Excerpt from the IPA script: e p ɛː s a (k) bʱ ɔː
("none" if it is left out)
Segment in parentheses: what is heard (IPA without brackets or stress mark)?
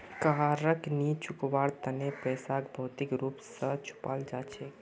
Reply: k